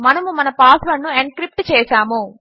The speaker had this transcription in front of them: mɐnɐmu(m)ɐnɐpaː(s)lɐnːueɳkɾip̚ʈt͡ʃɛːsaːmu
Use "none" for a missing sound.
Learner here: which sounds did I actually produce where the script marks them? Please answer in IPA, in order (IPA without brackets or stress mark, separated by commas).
m, s